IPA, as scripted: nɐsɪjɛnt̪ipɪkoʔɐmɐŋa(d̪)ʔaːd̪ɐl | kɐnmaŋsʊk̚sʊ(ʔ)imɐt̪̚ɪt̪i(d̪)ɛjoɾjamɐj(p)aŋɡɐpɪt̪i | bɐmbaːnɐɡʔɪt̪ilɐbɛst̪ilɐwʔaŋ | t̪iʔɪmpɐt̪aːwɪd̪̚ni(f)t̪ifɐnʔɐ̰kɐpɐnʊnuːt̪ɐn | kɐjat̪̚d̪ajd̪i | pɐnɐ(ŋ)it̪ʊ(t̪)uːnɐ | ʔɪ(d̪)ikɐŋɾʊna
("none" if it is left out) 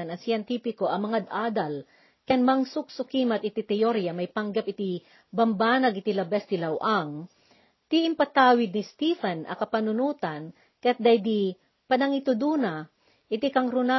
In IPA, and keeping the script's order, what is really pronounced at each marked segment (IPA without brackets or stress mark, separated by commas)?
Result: d̪, k, t̪, p, s, ŋ, d̪, t̪